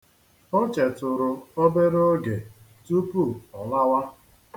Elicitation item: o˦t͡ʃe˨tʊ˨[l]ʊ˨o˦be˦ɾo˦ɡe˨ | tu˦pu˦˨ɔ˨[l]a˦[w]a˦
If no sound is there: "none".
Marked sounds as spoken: ɾ, l, w

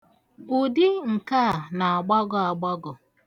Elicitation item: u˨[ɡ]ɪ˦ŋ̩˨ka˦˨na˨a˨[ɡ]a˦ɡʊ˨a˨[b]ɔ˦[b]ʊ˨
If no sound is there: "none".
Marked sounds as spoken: d, ɡ͡b, ɡ͡b, ɡ

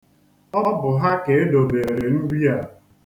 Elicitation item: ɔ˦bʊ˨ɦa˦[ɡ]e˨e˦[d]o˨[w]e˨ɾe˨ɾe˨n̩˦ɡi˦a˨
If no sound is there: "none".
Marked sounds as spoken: k, d, b

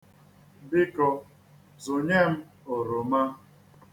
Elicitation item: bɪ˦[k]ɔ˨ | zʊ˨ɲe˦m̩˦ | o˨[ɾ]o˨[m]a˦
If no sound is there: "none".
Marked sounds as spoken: k, ɾ, m

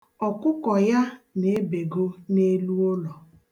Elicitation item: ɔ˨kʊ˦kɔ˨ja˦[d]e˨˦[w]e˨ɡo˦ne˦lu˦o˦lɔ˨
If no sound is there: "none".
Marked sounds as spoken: n, b

